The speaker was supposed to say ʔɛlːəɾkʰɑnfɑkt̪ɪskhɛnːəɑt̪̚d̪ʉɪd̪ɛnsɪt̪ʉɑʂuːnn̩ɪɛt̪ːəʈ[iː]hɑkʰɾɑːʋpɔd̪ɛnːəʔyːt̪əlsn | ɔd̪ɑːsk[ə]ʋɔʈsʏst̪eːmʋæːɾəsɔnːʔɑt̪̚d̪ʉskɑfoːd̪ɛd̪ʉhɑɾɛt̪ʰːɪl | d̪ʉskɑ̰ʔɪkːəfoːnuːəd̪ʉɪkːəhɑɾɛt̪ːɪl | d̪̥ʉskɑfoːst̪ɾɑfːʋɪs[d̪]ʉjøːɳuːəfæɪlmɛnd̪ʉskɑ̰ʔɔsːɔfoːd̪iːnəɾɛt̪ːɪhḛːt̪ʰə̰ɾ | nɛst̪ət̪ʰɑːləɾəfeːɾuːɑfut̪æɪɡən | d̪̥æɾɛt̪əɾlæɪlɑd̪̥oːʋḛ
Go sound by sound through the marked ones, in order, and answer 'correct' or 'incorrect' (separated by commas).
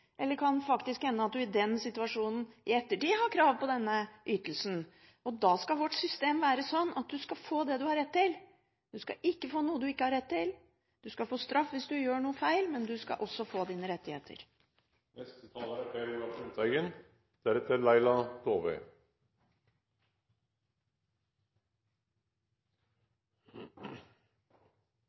correct, incorrect, correct